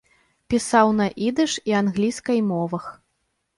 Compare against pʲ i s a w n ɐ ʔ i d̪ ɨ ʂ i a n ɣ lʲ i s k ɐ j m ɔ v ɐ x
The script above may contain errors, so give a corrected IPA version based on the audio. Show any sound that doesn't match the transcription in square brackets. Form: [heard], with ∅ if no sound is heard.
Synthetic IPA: pʲ i s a w n ɐ ʔ i d̪ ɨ ʂ i a n ɣ lʲ i s k ɐ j m ɔ v ɐ x